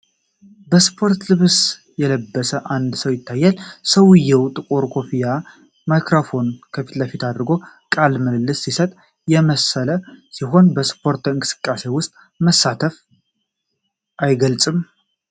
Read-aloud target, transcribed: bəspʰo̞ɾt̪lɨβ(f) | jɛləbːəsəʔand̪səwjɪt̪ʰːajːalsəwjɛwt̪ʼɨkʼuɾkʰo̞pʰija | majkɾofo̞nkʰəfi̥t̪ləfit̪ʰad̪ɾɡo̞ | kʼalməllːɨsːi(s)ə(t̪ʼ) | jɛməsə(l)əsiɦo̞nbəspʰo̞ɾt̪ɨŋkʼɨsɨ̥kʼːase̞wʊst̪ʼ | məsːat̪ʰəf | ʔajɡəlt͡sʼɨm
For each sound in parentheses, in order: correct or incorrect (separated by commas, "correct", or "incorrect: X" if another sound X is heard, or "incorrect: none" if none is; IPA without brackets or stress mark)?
incorrect: s, correct, correct, correct